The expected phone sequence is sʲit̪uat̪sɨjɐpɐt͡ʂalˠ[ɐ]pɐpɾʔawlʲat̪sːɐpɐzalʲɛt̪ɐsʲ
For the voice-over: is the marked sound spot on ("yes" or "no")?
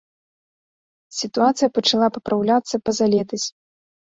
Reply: no